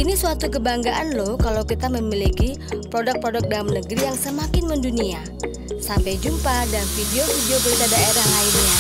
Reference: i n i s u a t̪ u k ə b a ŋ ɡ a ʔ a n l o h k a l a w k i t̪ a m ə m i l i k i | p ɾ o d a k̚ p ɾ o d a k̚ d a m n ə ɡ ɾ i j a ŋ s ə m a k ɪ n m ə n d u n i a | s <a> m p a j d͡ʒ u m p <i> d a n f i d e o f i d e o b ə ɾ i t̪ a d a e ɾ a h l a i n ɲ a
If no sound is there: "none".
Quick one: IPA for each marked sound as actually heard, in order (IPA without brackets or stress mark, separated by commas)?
a, a